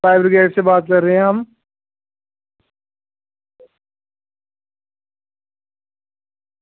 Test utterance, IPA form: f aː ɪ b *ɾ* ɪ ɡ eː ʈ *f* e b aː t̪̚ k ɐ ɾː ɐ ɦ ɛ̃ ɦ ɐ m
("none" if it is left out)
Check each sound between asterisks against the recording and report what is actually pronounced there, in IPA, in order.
ɾ, s

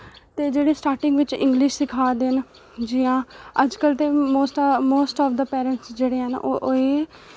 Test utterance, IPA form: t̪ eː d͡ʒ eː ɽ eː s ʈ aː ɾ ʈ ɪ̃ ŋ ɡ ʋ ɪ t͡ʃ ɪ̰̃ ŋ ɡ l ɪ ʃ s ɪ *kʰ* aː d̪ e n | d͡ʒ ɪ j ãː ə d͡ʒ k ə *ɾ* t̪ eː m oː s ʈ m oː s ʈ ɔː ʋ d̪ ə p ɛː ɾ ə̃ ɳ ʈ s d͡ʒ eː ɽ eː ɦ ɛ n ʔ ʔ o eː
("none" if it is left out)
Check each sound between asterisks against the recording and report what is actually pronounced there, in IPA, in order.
kʰ, l

